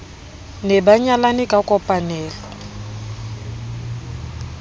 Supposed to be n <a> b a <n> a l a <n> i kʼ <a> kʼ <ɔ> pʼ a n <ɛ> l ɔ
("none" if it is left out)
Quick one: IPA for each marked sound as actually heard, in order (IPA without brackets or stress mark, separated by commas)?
ɛ, ɲ, n, a, ɔ, ɛː